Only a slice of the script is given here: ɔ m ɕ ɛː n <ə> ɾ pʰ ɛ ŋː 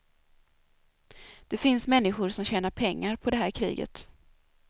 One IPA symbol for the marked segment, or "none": a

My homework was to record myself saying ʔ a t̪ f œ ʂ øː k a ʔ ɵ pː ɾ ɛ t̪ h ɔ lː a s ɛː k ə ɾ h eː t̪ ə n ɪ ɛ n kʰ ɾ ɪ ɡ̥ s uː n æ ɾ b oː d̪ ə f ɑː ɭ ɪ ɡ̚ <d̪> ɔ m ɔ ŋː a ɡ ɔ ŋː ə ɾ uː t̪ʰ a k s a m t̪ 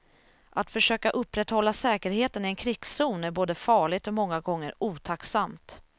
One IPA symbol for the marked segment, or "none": t̪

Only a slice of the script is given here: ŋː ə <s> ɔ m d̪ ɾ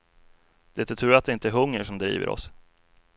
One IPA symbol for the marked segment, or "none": ʂ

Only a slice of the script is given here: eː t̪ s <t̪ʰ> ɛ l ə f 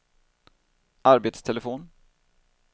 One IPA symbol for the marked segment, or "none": t̪ʰ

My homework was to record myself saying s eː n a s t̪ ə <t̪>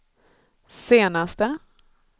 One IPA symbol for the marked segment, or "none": none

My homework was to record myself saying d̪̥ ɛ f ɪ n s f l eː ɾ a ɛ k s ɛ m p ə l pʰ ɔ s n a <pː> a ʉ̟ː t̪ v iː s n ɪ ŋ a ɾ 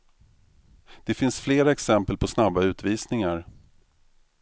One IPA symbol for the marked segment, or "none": bː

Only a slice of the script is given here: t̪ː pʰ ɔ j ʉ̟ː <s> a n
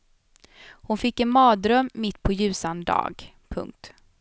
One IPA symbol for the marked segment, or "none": s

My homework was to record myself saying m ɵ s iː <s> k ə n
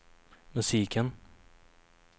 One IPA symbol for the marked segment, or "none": none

